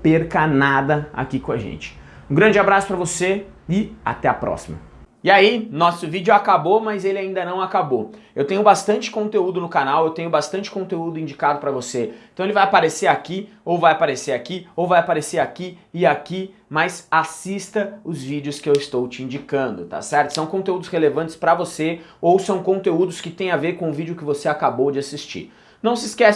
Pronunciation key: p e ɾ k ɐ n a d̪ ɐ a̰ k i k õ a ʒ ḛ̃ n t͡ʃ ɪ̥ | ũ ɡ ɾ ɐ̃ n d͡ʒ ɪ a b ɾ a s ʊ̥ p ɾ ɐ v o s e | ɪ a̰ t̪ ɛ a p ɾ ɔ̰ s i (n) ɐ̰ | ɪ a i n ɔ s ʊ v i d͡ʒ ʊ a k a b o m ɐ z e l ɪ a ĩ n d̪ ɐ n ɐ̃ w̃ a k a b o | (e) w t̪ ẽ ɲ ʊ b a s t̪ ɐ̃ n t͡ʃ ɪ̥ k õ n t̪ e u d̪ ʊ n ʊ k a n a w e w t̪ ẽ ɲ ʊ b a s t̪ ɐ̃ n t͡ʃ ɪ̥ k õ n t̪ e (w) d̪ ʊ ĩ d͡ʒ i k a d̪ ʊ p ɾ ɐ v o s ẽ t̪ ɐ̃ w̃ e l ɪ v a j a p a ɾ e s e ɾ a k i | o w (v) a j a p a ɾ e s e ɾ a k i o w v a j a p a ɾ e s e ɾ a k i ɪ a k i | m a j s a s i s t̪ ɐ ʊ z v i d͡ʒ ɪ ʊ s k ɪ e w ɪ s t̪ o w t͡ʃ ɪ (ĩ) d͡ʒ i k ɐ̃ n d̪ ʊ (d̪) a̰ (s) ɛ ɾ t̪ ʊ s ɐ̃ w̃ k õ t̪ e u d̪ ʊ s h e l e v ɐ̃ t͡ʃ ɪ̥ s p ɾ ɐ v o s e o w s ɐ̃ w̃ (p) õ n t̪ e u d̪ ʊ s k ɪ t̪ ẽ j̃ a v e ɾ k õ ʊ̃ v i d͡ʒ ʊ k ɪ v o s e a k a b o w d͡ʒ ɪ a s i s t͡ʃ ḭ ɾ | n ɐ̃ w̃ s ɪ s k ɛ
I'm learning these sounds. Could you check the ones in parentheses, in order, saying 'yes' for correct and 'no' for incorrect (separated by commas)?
no, yes, no, yes, yes, no, yes, no